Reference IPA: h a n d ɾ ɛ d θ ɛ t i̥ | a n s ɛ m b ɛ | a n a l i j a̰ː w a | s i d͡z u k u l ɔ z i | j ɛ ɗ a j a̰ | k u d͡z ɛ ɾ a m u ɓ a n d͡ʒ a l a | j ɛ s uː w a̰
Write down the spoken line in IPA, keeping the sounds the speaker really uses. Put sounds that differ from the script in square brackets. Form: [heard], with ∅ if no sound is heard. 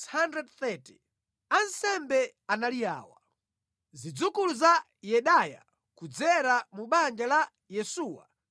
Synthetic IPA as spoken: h a n d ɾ ɛ d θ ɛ t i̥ | a n s ɛ m b ɛ | a n a l i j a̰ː w a | [z] i d͡z u k u l [u] z [a] | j ɛ ɗ a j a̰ | k u d͡z ɛ ɾ a m u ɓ a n d͡ʒ a l a | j ɛ s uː w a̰